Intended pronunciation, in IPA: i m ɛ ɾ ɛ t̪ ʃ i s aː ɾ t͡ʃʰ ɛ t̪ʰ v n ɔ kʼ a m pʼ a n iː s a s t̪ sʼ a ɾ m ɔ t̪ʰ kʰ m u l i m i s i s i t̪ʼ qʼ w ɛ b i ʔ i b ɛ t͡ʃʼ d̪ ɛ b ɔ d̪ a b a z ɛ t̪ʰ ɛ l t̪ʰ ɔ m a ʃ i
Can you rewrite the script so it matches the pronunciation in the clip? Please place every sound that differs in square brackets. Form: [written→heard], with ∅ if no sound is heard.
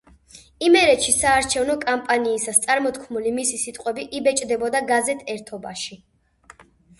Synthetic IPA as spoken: i m ɛ ɾ ɛ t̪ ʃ i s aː ɾ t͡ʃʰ ɛ [t̪ʰ→∅] v n ɔ kʼ a m pʼ a n iː s a s t̪ sʼ a ɾ m ɔ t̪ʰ kʰ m u l i m i s i s i t̪ʼ qʼ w ɛ b i ʔ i b ɛ t͡ʃʼ d̪ ɛ b ɔ d̪ a [b→ɡ] a z ɛ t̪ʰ ɛ [l→ɾ] t̪ʰ ɔ [m→b] a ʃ i

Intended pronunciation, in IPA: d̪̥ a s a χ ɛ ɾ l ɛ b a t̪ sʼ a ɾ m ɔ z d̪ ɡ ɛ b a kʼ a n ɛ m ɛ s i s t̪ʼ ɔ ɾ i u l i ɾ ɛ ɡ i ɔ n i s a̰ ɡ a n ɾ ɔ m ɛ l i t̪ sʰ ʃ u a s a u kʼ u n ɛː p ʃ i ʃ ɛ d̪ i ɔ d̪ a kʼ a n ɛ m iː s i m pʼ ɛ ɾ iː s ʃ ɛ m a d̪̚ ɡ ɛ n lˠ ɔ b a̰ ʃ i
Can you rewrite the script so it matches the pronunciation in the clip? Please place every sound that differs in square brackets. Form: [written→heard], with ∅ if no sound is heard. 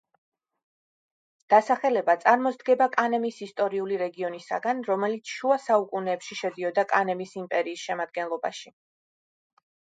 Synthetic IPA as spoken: d̪̥ a s a χ ɛ [ɾ→∅] l ɛ b a t̪ sʼ a ɾ m ɔ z d̪ ɡ ɛ b a kʼ a n ɛ m [ɛ→i] s i s t̪ʼ ɔ ɾ i u l i ɾ ɛ ɡ i ɔ n i s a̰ ɡ a n ɾ ɔ m ɛ l i t̪ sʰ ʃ u a s a u kʼ u n ɛː p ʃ i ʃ ɛ d̪ i ɔ d̪ a kʼ a n ɛ m [iː→i] s i m pʼ ɛ ɾ iː s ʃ ɛ m a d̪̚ ɡ ɛ n lˠ ɔ b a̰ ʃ i

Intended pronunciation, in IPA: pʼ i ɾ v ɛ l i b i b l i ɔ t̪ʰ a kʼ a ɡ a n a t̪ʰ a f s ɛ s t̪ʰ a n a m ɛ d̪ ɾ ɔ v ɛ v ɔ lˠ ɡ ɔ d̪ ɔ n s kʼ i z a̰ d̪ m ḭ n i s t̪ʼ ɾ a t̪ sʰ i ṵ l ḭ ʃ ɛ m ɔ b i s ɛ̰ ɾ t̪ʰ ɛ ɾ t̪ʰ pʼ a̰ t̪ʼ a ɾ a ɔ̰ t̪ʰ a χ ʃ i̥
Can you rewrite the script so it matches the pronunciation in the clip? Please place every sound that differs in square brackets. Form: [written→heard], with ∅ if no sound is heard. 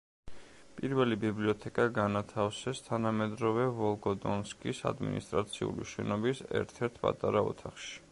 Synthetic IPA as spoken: pʼ i ɾ v ɛ l i b i b l i ɔ t̪ʰ [a→ɛ] kʼ a ɡ a n a t̪ʰ a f s ɛ s t̪ʰ a n a m ɛ d̪ ɾ ɔ v ɛ v ɔ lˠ ɡ ɔ d̪ ɔ n s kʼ i [z→s] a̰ d̪ m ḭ n i s t̪ʼ ɾ a t̪ sʰ i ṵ l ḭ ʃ ɛ [m→n] ɔ b i s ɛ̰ ɾ t̪ʰ ɛ ɾ t̪ʰ pʼ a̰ t̪ʼ a ɾ a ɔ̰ t̪ʰ a χ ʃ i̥

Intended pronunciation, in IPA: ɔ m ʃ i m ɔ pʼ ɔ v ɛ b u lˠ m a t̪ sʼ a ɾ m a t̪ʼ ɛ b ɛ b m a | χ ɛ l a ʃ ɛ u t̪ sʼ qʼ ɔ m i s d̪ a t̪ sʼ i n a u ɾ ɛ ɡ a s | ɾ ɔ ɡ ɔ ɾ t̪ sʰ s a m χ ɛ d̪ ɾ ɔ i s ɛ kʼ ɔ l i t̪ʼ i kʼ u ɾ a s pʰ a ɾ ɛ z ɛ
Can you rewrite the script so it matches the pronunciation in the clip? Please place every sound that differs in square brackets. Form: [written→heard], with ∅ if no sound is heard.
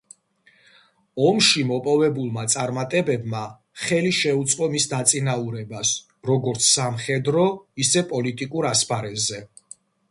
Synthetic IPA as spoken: ɔ m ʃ i m ɔ pʼ ɔ v ɛ b u lˠ m a t̪ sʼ a ɾ m a t̪ʼ ɛ b ɛ b m a | χ ɛ l [a→i] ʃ ɛ u t̪ sʼ qʼ ɔ m i s d̪ a t̪ sʼ i n a u ɾ ɛ [ɡ→b] a s | ɾ ɔ ɡ ɔ ɾ t̪ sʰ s a m χ ɛ d̪ ɾ ɔ i s ɛ [kʼ→pʼ] ɔ l i t̪ʼ i kʼ u ɾ a s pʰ a ɾ ɛ z ɛ

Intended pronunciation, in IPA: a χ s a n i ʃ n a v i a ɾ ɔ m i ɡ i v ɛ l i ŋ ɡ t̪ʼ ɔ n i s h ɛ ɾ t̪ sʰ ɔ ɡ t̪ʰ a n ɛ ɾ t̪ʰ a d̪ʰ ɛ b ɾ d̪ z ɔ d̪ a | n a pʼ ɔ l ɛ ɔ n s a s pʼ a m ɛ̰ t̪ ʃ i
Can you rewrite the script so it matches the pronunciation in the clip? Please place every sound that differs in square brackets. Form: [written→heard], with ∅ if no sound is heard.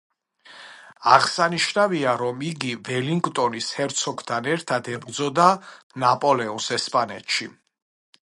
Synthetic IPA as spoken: a [χ→ʁ] s a n i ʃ n a v i a ɾ ɔ m i ɡ i v ɛ l i ŋ ɡ t̪ʼ ɔ n i s h ɛ ɾ t̪ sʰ ɔ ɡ t̪ʰ a n ɛ ɾ t̪ʰ a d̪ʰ ɛ b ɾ d̪ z ɔ d̪ a | n a pʼ ɔ l ɛ ɔ n s [a→ɛ] s pʼ a [m→n] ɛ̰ t̪ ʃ i

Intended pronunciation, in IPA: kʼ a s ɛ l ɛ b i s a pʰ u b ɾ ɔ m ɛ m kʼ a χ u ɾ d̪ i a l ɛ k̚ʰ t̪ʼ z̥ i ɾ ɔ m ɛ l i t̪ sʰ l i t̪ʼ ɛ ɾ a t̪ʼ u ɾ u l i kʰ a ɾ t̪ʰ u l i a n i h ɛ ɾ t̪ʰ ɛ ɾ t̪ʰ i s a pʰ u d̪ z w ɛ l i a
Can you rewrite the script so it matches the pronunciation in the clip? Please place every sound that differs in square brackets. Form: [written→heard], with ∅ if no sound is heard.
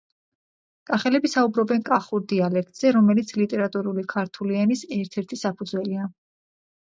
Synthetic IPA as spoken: kʼ a [s→χ] ɛ l ɛ b i s a [pʰ→∅] u b ɾ ɔ [m→b] ɛ [m→n] kʼ a χ u ɾ d̪ i a l ɛ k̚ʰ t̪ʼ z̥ [i→ɛ] ɾ ɔ m ɛ l i t̪ sʰ l i t̪ʼ ɛ ɾ a t̪ʼ u ɾ u l i kʰ a ɾ t̪ʰ u l i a n i [h→s] ɛ ɾ t̪ʰ ɛ ɾ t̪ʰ i s a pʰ u d̪ z w ɛ l i a

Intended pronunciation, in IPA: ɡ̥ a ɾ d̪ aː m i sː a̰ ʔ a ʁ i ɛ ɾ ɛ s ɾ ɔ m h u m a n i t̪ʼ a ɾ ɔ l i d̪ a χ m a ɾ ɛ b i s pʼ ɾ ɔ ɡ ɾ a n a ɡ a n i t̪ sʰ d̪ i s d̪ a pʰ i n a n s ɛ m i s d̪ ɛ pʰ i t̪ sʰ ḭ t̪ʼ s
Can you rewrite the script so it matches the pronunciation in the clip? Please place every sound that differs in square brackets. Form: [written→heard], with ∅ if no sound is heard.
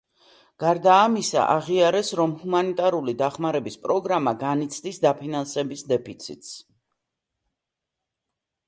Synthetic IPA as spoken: ɡ̥ a ɾ d̪ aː m i [sː→s] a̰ ʔ a ʁ i [ɛ→a] ɾ ɛ s ɾ ɔ m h u m a n i t̪ʼ a ɾ [ɔ→u] l i d̪ a χ m a ɾ ɛ b i s pʼ ɾ ɔ ɡ ɾ a [n→m] a ɡ a n i t̪ sʰ d̪ i s d̪ a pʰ i n a n s ɛ [m→b] i s d̪ ɛ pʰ i t̪ sʰ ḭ t̪ʼ s

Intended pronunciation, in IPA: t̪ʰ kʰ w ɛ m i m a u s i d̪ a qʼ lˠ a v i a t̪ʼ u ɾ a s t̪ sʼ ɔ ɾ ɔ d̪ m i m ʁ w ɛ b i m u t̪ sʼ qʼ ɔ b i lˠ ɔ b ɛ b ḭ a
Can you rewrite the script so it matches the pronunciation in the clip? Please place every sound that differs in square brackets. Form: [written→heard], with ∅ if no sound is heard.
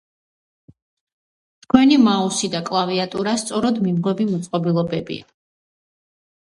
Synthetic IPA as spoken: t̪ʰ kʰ w ɛ [m→n] i m a u s i d̪ a [qʼ→kʼ] lˠ a v i a t̪ʼ u ɾ a s t̪ sʼ ɔ ɾ ɔ d̪ m i m ʁ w ɛ b i m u t̪ sʼ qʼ ɔ b i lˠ ɔ b ɛ b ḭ a

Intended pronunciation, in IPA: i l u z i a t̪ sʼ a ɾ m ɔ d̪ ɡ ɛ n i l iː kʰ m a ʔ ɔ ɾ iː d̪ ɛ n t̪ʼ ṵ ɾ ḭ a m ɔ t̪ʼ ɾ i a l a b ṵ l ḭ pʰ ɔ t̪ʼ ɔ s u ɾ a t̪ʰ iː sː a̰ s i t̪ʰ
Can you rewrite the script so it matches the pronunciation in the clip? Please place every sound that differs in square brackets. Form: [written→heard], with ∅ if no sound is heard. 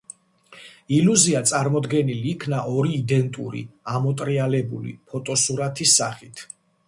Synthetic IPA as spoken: i l u z i a t̪ sʼ a ɾ m ɔ d̪ ɡ ɛ n i l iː kʰ [m→n] a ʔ ɔ ɾ iː d̪ ɛ n t̪ʼ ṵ ɾ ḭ a m ɔ t̪ʼ ɾ i a l [a→ɛ] b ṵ l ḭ pʰ ɔ t̪ʼ ɔ s u ɾ a t̪ʰ [iː→i] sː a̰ [s→χ] i t̪ʰ

